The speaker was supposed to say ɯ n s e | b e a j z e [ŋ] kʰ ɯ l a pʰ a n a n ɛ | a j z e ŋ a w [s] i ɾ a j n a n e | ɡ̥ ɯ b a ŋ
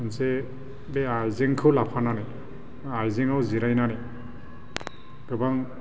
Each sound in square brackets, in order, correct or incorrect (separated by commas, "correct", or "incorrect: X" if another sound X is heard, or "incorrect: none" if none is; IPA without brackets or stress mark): correct, incorrect: z